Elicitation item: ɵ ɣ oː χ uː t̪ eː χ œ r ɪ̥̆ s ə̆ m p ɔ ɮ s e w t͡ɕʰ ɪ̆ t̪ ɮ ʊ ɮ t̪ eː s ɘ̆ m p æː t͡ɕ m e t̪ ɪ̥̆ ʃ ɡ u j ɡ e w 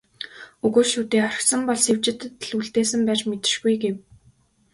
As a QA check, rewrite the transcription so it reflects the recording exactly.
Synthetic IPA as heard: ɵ ɣ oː ʃ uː t̪ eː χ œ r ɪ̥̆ s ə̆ m p ɔ ɮ s e w t͡ɕ ɪ̆ t̪ ɮ u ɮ t̪ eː s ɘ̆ m p æː t͡ɕ m e t̪ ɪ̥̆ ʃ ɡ u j ɡ e w